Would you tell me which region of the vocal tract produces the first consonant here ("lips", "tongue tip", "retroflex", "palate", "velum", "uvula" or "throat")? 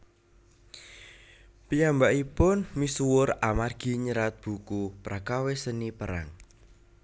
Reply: lips